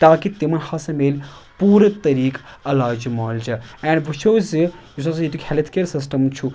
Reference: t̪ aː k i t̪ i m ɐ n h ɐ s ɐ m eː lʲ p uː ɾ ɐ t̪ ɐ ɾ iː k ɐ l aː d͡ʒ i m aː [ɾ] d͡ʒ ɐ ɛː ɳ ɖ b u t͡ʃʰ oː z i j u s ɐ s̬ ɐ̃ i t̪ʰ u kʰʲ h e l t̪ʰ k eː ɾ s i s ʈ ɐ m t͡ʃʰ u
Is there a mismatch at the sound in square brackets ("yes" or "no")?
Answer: yes